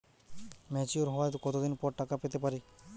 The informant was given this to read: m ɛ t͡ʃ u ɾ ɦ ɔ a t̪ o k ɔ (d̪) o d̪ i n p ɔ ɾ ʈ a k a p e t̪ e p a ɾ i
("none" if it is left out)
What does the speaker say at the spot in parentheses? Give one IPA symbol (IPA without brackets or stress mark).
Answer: t̪